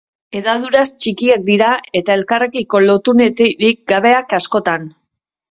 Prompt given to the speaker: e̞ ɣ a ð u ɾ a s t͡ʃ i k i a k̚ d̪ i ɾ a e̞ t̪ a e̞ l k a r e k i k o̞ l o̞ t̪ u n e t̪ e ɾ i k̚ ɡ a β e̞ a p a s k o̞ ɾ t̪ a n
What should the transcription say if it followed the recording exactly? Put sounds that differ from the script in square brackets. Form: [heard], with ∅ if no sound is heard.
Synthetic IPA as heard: e̞ [ð] a ð u ɾ a s t͡ʃ i k i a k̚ d̪ i ɾ a e̞ t̪ a e̞ l k a r e k i k o̞ l o̞ t̪ u n e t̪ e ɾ i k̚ ɡ a β e̞ a [k] a s k o̞ [∅] t̪ a n